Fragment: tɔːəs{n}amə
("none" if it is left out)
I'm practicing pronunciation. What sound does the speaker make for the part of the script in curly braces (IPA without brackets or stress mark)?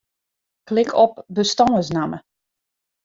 n